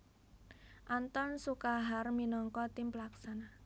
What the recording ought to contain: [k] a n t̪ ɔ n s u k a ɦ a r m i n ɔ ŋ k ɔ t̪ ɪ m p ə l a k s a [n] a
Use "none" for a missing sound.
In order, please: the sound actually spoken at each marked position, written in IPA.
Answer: ʔ, n

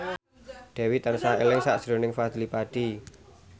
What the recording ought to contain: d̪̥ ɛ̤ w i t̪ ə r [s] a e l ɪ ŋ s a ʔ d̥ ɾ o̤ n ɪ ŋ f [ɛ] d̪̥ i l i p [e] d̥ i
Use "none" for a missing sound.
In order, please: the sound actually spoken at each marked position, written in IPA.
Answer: s, a, a

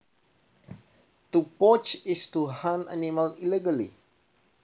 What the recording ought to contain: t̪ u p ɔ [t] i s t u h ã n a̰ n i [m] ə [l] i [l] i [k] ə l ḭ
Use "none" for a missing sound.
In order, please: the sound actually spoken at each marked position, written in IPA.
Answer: t͡ʃ, m, l, l, ɡ

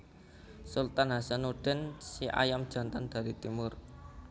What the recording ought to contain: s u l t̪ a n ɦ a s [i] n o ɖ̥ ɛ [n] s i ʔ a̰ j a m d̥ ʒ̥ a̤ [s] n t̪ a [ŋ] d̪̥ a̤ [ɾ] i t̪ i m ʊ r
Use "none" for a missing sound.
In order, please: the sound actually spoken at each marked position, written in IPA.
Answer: a, n, none, n, ɾ

